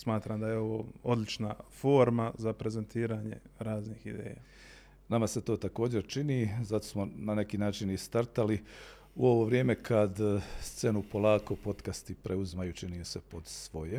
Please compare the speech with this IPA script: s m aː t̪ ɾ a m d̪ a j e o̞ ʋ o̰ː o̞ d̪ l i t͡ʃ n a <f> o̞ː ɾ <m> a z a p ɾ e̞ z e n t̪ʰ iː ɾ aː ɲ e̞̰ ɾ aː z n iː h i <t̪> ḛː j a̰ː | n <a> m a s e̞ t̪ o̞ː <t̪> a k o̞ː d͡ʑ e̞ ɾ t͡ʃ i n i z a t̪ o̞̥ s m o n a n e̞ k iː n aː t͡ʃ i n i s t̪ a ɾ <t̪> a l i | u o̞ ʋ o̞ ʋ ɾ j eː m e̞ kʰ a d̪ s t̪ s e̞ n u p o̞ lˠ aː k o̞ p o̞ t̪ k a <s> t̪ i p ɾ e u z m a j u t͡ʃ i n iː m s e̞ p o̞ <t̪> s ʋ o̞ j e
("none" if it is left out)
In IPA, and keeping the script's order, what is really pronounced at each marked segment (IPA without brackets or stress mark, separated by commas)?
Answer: f, m, d̪, a, t̪, t̪, s, d̪